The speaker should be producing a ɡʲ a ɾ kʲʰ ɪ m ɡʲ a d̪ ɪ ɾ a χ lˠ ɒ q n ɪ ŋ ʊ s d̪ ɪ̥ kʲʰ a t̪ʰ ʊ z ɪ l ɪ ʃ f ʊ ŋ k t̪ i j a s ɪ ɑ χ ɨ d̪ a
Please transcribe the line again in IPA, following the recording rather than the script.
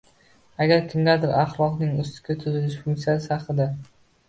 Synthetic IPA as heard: a ɡʲ a ɾ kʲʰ ɪ m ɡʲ a d̪ ɪ ɾ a χ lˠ ɒ q n ɪ ŋ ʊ s t̪ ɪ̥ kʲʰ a t̪ʰ ʊ z ɪ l ɪ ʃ f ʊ ŋ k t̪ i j a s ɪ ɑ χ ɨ d̪ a